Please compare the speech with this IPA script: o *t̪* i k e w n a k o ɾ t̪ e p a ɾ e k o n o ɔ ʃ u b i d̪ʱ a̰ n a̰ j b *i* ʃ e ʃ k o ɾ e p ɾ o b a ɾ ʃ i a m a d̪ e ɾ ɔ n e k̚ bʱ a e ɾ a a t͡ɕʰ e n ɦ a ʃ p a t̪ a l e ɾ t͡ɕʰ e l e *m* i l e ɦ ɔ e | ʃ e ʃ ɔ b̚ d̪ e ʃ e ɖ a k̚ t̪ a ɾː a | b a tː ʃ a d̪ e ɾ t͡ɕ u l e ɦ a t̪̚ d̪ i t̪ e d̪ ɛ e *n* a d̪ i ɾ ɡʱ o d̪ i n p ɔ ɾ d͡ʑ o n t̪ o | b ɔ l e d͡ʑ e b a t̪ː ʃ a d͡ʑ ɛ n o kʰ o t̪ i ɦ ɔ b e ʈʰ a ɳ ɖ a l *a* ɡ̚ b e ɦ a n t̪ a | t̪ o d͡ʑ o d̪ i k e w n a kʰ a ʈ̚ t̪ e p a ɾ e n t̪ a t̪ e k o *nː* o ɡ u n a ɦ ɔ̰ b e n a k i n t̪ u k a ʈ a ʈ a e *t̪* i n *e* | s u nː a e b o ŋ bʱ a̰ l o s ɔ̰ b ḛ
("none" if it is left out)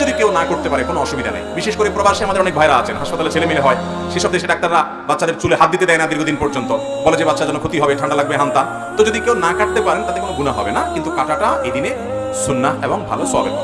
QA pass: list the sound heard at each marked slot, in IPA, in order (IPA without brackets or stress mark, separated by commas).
d̪, i, m, n, a, n, d̪, e